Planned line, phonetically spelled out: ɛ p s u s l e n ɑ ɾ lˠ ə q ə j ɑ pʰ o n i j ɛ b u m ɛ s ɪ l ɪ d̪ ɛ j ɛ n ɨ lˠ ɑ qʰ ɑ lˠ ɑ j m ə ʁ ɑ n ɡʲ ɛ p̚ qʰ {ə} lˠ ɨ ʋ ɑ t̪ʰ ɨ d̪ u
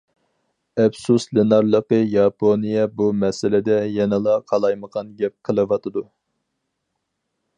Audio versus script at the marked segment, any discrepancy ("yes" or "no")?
no